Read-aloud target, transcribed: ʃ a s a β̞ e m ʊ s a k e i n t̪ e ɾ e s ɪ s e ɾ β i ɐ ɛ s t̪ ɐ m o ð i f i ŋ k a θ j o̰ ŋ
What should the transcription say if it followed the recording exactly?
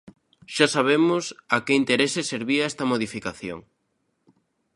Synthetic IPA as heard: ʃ a s a β̞ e m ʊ s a k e i n t̪ e ɾ e s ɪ s e ɾ β i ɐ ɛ s t̪ ɐ m o ð i f i k a θ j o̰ ŋ